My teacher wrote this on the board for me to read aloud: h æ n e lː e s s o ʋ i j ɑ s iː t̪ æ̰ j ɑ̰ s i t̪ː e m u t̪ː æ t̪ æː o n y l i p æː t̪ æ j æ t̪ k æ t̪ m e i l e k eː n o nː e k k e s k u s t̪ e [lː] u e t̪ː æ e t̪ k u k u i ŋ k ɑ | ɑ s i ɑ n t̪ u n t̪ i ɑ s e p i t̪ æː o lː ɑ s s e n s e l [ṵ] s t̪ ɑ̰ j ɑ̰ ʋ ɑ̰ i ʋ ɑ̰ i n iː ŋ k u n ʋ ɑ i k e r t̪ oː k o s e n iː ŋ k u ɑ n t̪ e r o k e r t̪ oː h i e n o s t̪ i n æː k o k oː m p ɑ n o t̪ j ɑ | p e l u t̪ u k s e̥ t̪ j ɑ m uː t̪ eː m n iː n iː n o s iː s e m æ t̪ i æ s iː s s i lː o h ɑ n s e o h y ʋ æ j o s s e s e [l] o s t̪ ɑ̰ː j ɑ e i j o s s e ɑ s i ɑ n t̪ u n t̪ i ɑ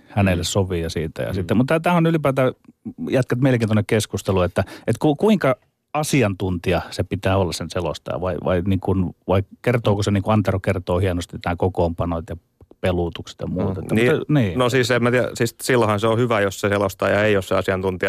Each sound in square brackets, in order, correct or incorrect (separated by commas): incorrect, incorrect, correct